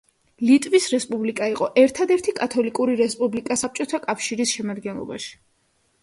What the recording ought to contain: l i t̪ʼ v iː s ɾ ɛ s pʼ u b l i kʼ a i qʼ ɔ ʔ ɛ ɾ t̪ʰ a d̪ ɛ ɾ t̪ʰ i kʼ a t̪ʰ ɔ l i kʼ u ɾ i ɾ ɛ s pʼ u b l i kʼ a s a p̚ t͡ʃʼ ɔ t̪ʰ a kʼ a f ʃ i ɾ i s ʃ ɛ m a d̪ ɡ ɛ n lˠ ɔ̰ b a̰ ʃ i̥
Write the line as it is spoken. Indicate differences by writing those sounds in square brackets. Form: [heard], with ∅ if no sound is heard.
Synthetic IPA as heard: l i t̪ʼ v [i] s ɾ ɛ s pʼ u b l i kʼ a i qʼ ɔ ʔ ɛ ɾ t̪ʰ a d̪ ɛ ɾ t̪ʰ i kʼ a t̪ʰ ɔ l i kʼ u ɾ i ɾ ɛ s pʼ u b l i kʼ a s a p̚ t͡ʃʼ ɔ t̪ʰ a kʼ a f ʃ i ɾ i s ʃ ɛ m a d̪ ɡ ɛ n lˠ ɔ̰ b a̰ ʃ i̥

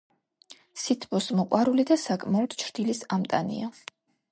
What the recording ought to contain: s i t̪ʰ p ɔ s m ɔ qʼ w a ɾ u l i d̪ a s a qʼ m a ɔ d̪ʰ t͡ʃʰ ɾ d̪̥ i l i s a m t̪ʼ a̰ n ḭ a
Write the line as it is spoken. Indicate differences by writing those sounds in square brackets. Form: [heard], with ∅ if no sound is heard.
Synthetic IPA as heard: s i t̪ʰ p ɔ s m ɔ qʼ w a ɾ u l i d̪ a s a [kʼ] m a ɔ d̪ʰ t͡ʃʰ ɾ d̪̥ i l i s a m t̪ʼ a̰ n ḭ a

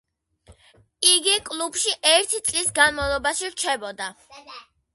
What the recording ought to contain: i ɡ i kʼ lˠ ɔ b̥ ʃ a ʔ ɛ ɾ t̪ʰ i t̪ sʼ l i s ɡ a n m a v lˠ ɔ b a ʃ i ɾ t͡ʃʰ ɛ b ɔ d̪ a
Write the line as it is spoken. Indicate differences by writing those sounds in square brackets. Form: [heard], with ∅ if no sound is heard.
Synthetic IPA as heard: i ɡ i kʼ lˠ [u] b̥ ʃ [i] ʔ ɛ ɾ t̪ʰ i t̪ sʼ l i s ɡ a n m a v lˠ ɔ b a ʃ i ɾ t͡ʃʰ ɛ b ɔ d̪ a

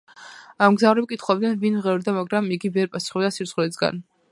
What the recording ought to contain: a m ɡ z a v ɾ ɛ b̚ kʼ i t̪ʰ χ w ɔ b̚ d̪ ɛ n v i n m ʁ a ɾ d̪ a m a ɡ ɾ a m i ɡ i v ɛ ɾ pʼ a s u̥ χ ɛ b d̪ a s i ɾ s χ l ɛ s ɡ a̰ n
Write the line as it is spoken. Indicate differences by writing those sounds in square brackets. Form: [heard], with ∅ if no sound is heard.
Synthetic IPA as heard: a m ɡ z a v ɾ ɛ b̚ kʼ i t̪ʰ χ w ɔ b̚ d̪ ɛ n v i n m ʁ [ɛ] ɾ d̪ a m a ɡ ɾ a m i ɡ i v ɛ ɾ pʼ a s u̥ χ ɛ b d̪ a s i ɾ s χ l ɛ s ɡ a̰ n

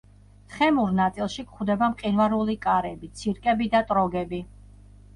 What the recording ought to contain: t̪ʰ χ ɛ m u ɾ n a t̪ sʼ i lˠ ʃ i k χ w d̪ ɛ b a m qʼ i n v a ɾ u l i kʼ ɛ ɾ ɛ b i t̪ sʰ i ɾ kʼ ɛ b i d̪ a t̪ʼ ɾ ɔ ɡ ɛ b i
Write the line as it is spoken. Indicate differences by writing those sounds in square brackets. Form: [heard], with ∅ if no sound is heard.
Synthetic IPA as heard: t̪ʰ χ ɛ m u ɾ n a t̪ sʼ i lˠ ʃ i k χ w d̪ ɛ b a m qʼ i n v a ɾ u l i kʼ [a] ɾ ɛ b i t̪ sʰ i ɾ kʼ ɛ b i d̪ a t̪ʼ ɾ ɔ ɡ ɛ b i

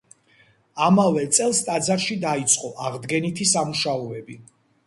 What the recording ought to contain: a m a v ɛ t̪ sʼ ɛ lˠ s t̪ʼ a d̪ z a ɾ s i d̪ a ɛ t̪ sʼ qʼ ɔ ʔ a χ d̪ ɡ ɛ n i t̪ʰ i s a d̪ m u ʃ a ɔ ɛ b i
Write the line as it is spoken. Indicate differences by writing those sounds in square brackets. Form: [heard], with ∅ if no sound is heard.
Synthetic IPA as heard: a m a v ɛ t̪ sʼ ɛ lˠ s t̪ʼ a d̪ z a ɾ [ʃ] i d̪ a [i] t̪ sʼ qʼ ɔ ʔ a [ʁ] d̪ ɡ ɛ n i t̪ʰ i s a [∅] m u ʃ a ɔ ɛ b i

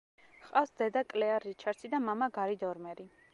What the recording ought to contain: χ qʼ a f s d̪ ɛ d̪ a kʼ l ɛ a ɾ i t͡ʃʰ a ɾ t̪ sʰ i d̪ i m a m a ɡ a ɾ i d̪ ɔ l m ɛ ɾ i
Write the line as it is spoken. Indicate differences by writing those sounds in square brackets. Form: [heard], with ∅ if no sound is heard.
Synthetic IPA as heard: χ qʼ a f s d̪ ɛ d̪ a kʼ l ɛ a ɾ i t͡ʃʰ a ɾ t̪ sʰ i d̪ [a] m a m a ɡ a ɾ i d̪ ɔ [ɾ] m ɛ ɾ i

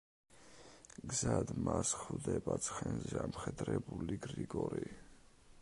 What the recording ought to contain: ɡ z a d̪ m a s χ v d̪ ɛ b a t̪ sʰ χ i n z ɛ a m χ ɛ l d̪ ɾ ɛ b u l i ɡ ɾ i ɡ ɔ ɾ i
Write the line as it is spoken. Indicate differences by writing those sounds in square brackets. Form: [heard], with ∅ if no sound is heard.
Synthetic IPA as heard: ɡ z a d̪ m a s χ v d̪ ɛ b a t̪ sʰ χ [ɛ] n z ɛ a m χ ɛ [∅] d̪ ɾ ɛ b u l i ɡ ɾ i ɡ ɔ ɾ i

